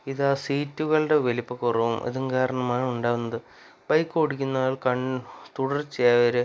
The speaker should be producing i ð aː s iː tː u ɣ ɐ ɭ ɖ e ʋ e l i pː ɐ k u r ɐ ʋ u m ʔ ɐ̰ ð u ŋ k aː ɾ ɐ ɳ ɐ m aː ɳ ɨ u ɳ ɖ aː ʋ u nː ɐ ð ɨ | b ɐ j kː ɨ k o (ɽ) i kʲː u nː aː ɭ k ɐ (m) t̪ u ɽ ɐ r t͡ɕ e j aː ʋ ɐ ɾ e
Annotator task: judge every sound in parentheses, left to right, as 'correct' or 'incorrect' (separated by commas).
correct, incorrect